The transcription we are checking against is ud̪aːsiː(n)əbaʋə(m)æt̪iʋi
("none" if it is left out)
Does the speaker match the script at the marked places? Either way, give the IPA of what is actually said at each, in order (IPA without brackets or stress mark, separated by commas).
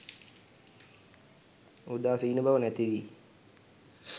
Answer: n, n